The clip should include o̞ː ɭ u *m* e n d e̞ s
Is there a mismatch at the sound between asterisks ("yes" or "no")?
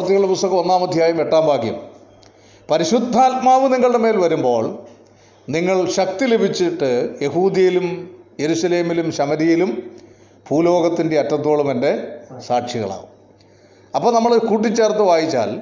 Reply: no